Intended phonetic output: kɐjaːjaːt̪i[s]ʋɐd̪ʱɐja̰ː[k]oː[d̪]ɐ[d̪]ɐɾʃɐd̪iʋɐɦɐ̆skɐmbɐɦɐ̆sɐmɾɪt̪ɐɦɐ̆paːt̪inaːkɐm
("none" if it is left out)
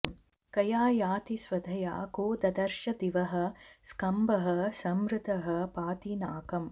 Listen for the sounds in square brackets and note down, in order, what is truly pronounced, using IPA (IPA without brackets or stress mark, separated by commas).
s, k, d̪, d̪